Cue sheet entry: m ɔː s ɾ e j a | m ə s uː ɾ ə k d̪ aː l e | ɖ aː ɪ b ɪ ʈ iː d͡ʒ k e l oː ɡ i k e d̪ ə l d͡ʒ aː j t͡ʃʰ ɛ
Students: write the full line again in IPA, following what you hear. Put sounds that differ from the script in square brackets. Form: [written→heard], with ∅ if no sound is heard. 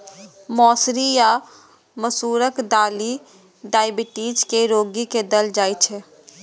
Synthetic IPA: m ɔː s ɾ [e→i] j a | m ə s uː ɾ ə k d̪ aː l [e→i] | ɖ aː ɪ b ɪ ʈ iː d͡ʒ k e [l→ɾ] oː ɡ i k e d̪ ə l d͡ʒ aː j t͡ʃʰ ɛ

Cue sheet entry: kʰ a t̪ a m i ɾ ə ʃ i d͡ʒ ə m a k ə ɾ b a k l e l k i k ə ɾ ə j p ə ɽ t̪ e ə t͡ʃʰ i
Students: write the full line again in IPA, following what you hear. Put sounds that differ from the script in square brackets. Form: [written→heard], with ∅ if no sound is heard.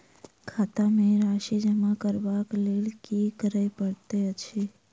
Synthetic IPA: kʰ a t̪ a m [i→e] ɾ [ə→a] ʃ i d͡ʒ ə m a k ə ɾ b a k l e l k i k ə ɾ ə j p ə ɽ t̪ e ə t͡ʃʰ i

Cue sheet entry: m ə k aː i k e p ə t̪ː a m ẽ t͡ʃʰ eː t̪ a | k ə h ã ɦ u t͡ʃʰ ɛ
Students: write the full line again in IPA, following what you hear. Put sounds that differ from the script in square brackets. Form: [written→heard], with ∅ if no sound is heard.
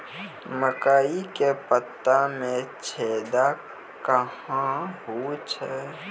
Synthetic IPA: m ə k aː i k e p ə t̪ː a m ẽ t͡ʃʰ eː [t̪→d̪] a | k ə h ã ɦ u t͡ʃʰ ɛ

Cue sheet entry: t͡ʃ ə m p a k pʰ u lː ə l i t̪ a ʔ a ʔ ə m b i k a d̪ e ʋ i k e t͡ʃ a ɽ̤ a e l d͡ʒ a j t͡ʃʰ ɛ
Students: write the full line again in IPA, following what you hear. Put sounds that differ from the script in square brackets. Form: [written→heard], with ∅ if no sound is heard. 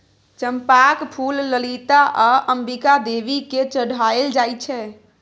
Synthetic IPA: t͡ʃ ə m p a k pʰ u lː ə l i t̪ a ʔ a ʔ ə m b i k a d̪ e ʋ i k e t͡ʃ [a→ə] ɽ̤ a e l d͡ʒ a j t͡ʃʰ ɛ

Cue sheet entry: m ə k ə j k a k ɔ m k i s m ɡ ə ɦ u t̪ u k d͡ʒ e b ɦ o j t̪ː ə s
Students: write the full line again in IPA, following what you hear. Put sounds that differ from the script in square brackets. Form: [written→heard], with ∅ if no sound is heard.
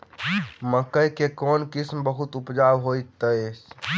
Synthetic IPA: m ə k ə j k [a→e] k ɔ [m→n] k i s m [ɡ→b] ə ɦ u t̪ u [k→p] d͡ʒ [e→a] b ɦ o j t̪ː ə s

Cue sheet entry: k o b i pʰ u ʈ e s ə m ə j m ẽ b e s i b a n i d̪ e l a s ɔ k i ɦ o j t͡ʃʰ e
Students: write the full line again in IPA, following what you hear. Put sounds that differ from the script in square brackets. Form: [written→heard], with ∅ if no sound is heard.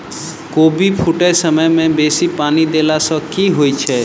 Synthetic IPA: k o b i pʰ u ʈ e s ə m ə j m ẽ b e s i [b→p] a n i d̪ e l a s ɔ k i ɦ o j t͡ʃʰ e

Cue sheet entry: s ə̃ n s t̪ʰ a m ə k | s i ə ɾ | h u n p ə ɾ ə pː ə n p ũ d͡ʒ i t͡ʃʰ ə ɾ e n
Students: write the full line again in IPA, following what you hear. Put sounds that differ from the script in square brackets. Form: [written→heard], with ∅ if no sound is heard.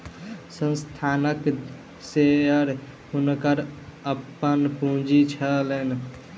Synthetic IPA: s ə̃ n s t̪ʰ a [m→n] ə k | s [i→e] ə ɾ | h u n [p→k] ə ɾ ə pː ə n p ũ d͡ʒ i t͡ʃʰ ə [ɾ→l] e n

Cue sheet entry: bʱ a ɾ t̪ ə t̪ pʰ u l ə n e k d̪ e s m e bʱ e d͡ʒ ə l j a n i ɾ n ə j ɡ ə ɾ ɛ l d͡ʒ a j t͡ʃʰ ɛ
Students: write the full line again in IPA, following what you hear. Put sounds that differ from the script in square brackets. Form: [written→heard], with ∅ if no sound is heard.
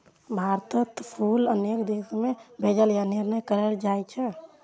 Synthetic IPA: bʱ a ɾ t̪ ə t̪ pʰ u l ə n e k d̪ e s m e bʱ e d͡ʒ ə l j a n i ɾ n ə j [ɡ→k] ə ɾ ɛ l d͡ʒ a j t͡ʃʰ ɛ

